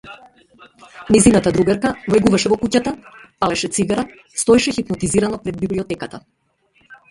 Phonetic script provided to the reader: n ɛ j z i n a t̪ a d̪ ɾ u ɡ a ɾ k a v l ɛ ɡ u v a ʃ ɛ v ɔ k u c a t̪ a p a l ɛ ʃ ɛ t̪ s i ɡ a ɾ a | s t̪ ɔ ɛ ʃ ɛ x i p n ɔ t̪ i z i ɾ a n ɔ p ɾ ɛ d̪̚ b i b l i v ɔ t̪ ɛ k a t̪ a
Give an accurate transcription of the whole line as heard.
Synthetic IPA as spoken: n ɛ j z i n a t̪ a d̪ ɾ u ɡ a ɾ k a v l ɛ ɡ u v a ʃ ɛ v ɔ k u c a t̪ a p a l ɛ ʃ ɛ t̪ s i ɡ a ɾ a | s t̪ ɔ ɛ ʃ ɛ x i p n ɔ t̪ i z i ɾ a n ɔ p ɾ ɛ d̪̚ b i b l i ɔ t̪ ɛ k a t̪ a